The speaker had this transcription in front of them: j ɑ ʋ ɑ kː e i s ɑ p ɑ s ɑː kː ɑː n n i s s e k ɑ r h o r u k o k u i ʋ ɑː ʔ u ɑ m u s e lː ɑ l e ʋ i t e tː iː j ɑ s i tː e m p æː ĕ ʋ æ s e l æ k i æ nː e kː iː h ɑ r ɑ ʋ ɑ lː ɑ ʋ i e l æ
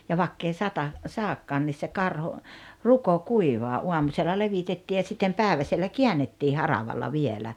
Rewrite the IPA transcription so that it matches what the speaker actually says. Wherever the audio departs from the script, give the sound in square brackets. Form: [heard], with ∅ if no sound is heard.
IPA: j ɑ ʋ ɑ kː e i s ɑ [t] ɑ s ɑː kː ɑː n n i s s e k ɑ r h o r u k o k u i ʋ ɑː ʔ u ɑ m u s e lː ɑ l e ʋ i t e tː iː j ɑ s i tː e m p æː ĕ ʋ æ s e [lː] æ k i æ nː e [tː] iː h ɑ r ɑ ʋ ɑ lː ɑ ʋ i e l æ